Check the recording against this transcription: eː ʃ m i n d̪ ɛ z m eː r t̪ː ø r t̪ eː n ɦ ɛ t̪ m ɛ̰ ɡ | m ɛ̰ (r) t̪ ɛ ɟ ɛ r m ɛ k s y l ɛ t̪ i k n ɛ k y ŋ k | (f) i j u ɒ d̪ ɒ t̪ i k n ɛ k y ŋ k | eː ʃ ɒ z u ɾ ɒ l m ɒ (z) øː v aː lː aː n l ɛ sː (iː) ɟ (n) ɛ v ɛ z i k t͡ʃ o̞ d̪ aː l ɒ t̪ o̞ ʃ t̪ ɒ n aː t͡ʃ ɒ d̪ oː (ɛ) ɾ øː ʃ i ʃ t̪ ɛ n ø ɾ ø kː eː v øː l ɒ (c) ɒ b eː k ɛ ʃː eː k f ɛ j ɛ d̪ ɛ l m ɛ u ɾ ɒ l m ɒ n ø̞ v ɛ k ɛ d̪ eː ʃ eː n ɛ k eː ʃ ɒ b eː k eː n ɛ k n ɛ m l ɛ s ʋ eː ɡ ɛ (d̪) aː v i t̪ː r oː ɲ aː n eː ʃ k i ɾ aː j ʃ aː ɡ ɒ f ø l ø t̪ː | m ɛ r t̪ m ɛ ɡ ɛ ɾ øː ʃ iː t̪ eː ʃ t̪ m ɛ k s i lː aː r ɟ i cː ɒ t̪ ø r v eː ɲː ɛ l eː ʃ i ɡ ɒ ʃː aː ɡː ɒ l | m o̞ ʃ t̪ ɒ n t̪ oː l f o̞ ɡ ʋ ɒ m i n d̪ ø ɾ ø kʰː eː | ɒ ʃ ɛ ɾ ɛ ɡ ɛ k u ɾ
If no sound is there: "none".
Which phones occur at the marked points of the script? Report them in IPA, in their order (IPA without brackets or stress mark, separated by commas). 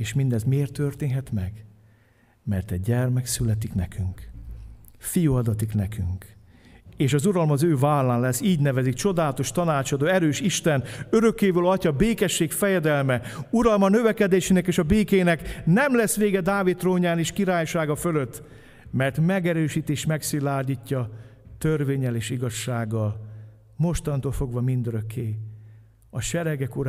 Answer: r, f, z, iː, n, ɛ, c, d̪